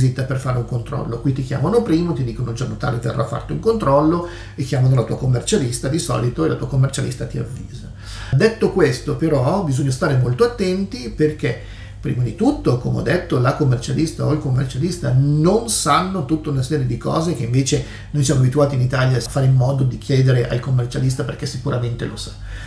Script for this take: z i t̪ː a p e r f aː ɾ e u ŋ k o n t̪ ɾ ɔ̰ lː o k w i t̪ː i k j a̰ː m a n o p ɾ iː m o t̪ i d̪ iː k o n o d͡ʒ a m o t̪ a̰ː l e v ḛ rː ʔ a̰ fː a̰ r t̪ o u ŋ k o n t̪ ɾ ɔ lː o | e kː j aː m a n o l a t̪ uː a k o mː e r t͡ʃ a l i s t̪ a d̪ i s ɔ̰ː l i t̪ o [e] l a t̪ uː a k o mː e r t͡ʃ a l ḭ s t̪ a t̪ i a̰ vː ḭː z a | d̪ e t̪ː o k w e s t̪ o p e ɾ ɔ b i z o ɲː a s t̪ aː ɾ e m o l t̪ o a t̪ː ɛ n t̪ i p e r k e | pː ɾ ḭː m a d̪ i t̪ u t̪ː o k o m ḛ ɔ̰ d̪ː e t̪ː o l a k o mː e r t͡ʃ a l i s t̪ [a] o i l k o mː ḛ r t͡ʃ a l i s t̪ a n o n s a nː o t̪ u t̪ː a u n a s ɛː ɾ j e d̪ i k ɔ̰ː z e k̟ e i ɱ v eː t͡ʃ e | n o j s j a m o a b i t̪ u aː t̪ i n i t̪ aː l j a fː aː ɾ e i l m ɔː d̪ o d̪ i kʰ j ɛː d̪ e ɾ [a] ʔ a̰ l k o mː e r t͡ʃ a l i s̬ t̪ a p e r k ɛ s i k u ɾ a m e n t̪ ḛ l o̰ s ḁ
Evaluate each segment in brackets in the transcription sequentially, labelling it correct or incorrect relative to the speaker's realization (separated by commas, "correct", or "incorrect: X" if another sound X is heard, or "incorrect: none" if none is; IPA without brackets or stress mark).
correct, correct, incorrect: e